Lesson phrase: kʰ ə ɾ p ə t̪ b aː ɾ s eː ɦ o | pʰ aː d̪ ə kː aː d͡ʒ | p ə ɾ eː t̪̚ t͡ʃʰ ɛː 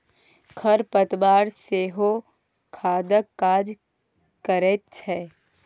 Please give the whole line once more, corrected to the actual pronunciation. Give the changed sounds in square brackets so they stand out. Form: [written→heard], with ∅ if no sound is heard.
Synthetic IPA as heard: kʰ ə ɾ p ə t̪ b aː ɾ s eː ɦ o | [pʰ→kʰ] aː d̪ ə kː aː d͡ʒ | [p→k] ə ɾ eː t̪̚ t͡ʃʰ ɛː